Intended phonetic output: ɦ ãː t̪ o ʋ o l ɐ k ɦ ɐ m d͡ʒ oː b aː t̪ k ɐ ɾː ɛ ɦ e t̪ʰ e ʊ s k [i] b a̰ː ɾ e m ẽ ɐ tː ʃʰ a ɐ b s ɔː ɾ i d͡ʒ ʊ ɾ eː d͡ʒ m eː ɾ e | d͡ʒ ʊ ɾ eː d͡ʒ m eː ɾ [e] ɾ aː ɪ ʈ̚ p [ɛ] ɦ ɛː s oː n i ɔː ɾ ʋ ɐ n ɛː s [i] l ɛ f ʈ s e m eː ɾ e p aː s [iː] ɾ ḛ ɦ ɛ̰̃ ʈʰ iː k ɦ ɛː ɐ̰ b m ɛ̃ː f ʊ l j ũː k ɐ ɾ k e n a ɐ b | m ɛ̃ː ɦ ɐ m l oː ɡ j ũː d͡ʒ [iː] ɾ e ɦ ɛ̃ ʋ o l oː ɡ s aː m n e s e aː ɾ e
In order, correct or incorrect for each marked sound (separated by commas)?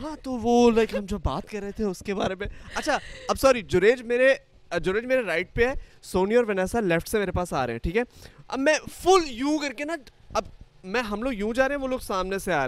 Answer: incorrect, correct, incorrect, incorrect, incorrect, incorrect